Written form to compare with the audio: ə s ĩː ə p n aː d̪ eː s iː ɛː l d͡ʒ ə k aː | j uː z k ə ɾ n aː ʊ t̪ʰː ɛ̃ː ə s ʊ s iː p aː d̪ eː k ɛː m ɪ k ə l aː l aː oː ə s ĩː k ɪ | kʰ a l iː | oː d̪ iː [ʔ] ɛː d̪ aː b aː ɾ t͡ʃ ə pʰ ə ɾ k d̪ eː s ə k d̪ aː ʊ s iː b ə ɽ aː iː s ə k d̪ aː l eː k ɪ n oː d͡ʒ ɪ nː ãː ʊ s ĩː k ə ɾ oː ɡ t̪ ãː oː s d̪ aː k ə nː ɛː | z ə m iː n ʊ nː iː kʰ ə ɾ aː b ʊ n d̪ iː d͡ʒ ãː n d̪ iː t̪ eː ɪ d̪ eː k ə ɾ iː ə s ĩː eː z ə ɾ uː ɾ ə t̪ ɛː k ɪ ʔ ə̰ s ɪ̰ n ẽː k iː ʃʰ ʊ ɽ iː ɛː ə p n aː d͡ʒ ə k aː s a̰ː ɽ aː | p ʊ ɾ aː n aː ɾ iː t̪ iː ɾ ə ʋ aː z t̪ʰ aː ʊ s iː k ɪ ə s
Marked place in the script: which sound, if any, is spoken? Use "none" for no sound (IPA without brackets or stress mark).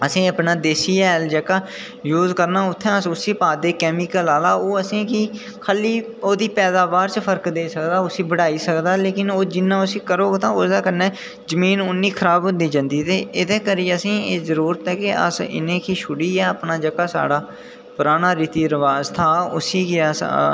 p